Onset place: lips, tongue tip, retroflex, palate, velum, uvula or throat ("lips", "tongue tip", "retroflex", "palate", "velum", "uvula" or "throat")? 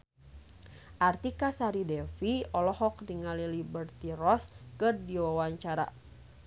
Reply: throat